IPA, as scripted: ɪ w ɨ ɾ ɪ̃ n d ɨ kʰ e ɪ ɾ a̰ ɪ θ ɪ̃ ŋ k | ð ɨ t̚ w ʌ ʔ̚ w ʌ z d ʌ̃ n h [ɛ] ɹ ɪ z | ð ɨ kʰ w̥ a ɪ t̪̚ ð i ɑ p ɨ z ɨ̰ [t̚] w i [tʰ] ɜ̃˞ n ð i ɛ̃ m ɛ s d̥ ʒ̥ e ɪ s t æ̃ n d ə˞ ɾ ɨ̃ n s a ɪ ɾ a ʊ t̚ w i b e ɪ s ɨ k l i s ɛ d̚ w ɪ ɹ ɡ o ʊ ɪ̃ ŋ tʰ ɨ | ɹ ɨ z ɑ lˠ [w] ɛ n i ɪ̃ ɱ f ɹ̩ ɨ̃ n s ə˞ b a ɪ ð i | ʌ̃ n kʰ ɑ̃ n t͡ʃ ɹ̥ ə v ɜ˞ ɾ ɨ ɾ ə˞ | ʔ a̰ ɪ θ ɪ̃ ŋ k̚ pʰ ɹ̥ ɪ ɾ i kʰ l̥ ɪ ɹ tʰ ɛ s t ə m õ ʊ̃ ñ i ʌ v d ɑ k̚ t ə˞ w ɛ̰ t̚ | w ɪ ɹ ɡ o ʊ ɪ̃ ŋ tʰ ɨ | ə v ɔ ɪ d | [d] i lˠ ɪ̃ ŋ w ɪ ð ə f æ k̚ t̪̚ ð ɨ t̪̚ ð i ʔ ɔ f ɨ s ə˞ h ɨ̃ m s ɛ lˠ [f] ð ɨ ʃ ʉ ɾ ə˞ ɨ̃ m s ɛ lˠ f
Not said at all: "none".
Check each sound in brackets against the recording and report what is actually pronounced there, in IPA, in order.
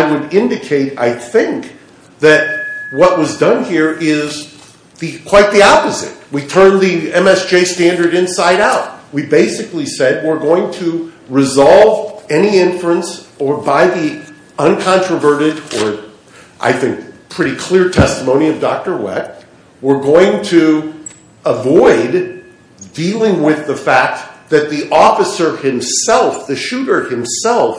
i, t̚, tʰ, v, d, f

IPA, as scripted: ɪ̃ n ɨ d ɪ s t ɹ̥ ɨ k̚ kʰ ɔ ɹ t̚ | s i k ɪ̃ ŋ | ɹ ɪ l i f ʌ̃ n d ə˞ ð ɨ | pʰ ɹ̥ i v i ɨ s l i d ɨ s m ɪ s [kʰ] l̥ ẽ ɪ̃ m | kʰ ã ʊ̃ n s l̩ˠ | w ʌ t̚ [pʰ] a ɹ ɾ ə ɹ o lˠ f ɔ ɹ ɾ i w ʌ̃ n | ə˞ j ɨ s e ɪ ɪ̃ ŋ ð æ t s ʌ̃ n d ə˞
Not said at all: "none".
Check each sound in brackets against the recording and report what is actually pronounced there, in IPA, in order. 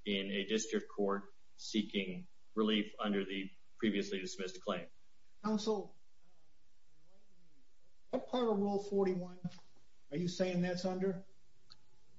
kʰ, pʰ

